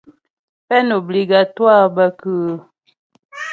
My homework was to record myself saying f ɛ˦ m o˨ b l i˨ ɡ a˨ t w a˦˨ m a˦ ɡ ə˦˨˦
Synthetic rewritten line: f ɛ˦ n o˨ b l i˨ ɡ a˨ t w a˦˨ b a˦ k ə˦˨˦